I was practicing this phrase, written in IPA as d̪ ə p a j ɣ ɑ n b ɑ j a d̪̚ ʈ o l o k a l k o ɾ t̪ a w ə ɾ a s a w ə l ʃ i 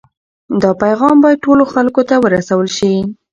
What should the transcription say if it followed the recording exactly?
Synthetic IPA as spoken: d̪ ɑ p a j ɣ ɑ m b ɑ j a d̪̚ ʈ o l o x a l k o t̪ a w ə ɾ a s a w ə l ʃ i